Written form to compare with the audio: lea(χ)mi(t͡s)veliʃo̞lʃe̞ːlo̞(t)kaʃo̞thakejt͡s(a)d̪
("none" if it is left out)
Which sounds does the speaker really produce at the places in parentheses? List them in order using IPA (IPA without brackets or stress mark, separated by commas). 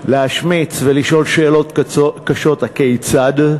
ʃ, t͡s, t, a